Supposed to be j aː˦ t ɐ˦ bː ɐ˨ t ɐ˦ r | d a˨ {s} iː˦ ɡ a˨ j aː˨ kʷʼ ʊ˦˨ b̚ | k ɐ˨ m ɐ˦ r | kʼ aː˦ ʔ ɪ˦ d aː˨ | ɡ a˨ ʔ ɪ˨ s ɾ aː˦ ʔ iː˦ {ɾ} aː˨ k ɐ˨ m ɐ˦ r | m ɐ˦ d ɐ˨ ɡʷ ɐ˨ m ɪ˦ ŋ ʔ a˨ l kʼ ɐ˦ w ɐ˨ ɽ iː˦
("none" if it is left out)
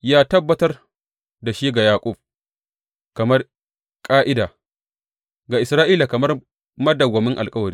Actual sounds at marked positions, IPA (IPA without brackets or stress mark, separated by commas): ʃ, l